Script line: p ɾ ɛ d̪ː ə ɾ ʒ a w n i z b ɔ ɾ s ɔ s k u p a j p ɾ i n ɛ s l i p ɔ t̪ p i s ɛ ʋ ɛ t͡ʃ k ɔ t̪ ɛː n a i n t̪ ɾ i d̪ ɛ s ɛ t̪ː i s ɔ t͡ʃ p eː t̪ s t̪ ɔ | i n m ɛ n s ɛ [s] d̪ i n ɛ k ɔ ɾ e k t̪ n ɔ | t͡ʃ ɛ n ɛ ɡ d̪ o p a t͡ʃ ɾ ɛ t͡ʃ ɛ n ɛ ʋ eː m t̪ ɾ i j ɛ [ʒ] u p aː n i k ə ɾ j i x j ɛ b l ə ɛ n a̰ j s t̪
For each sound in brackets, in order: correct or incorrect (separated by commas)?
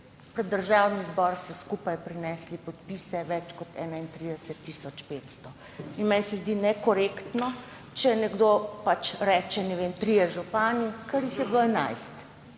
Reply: incorrect, correct